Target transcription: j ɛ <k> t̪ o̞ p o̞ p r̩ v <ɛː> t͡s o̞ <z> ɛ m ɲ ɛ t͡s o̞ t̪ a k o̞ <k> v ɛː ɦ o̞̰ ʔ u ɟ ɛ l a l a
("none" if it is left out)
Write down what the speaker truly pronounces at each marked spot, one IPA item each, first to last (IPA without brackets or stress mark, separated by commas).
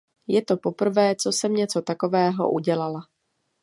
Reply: none, ɛː, s, none